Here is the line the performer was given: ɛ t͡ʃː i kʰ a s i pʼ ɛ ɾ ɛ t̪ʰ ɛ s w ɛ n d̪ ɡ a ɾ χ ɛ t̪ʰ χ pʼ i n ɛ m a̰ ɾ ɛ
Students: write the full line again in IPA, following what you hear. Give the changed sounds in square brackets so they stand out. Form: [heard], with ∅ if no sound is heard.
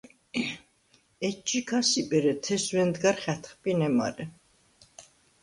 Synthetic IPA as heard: ɛ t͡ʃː i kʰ a s i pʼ ɛ ɾ ɛ t̪ʰ ɛ s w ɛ n d̪ ɡ a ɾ χ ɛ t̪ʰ χ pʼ i n ɛ m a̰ ɾ ɛ